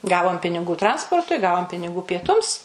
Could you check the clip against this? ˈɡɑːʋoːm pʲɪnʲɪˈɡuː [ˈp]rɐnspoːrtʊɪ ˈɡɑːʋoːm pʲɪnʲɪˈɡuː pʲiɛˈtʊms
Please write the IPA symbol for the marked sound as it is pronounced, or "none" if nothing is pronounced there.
t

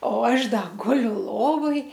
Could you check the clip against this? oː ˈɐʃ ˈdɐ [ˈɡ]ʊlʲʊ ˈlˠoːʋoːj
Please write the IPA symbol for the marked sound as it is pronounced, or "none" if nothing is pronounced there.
ɡ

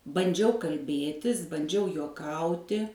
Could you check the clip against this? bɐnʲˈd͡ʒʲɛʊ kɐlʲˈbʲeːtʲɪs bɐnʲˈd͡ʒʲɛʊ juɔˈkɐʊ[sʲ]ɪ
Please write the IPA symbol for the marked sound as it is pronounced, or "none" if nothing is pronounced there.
tʲ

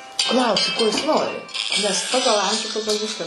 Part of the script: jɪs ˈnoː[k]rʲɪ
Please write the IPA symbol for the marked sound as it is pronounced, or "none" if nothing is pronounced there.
none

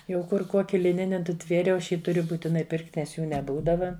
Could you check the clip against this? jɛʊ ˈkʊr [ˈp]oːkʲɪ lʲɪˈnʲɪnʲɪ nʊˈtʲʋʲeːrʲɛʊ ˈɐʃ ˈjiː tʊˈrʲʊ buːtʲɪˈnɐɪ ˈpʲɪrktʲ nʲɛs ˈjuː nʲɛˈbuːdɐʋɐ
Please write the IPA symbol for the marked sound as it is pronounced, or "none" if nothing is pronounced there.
k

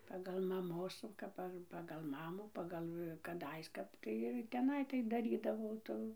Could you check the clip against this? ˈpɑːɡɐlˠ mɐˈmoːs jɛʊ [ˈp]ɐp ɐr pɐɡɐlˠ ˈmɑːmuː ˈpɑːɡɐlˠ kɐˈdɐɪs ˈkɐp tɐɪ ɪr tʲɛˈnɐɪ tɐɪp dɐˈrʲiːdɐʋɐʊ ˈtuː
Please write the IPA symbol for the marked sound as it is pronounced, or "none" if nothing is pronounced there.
k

